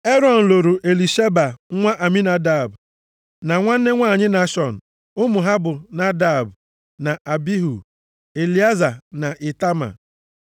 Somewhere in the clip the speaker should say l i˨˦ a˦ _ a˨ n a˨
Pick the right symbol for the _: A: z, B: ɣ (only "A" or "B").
A